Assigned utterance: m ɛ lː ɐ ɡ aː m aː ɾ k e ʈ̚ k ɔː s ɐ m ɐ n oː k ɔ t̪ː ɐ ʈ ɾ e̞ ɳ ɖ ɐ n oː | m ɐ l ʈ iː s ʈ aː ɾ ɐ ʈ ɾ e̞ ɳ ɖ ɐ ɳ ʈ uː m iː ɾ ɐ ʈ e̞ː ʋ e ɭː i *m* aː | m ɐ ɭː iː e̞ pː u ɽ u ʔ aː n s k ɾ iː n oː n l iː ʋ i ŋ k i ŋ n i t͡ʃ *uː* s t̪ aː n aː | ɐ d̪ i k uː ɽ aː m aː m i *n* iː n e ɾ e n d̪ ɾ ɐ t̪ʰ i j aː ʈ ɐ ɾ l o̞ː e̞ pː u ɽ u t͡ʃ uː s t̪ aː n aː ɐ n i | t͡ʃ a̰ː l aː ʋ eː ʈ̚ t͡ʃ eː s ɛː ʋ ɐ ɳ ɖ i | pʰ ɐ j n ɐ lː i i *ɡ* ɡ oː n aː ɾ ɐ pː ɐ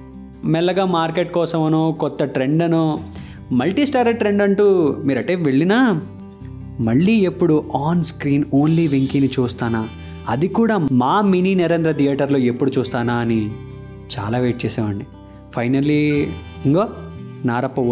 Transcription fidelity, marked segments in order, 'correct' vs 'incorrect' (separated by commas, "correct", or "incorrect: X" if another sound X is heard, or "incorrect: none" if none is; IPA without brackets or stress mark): incorrect: n, correct, correct, incorrect: ŋ